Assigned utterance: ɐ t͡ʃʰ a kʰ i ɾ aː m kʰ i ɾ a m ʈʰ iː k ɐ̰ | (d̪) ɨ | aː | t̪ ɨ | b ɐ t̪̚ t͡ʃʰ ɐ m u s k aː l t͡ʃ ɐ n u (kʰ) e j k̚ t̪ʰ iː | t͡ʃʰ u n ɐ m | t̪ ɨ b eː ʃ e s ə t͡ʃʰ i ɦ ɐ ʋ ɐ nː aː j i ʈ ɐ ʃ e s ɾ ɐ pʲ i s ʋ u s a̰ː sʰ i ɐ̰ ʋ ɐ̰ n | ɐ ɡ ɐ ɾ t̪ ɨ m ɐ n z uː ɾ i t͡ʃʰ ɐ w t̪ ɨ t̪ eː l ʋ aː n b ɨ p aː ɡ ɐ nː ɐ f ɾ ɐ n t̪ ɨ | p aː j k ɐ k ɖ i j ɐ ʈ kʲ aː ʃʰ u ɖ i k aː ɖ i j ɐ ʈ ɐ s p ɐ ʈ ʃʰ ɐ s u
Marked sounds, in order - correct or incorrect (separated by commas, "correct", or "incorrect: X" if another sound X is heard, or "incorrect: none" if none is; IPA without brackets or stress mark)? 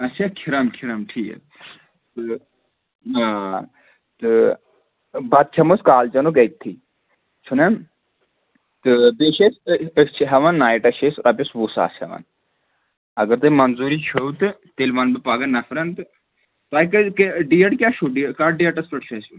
incorrect: t̪, incorrect: k